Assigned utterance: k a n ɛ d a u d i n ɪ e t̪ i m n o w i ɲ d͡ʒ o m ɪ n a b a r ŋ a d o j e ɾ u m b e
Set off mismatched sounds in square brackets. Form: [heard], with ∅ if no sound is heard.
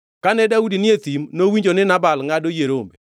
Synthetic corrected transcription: k a n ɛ d a u d i n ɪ e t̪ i m n o w i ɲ d͡ʒ o [n] ɪ n a b a [l] ŋ a d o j e ɾ [o] m b e